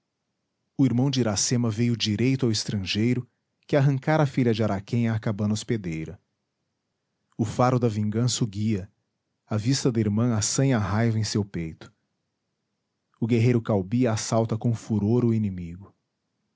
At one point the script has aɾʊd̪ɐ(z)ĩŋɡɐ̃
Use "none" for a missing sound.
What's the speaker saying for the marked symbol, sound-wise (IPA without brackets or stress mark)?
v